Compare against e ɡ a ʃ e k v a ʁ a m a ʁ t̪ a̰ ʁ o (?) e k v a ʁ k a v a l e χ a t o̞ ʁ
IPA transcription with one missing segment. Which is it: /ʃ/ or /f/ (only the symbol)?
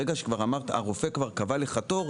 f